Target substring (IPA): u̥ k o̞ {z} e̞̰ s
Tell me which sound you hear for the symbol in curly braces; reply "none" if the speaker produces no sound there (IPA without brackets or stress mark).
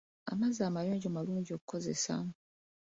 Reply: z